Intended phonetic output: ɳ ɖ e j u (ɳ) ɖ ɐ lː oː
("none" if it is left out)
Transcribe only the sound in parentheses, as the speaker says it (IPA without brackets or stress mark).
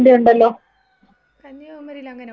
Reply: ɳ